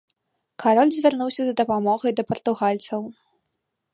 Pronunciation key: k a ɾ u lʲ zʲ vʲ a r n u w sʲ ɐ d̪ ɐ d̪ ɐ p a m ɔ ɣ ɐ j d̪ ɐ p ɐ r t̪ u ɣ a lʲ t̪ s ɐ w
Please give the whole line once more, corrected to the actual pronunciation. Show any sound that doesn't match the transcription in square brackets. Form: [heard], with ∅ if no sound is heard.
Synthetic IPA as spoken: k a ɾ [ɔ] lʲ zʲ vʲ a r n u w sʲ ɐ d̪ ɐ d̪ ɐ p a m ɔ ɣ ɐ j d̪ ɐ p ɐ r t̪ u ɣ a lʲ t̪ s ɐ w